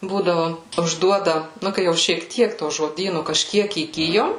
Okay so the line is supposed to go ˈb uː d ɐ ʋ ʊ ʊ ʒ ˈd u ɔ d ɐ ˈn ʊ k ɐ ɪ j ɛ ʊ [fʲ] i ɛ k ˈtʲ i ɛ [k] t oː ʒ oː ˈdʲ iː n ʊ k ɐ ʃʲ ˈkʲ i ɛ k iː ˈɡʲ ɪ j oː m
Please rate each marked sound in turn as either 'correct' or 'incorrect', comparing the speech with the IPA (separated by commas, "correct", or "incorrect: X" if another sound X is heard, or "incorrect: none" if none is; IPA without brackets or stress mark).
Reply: incorrect: ʃʲ, correct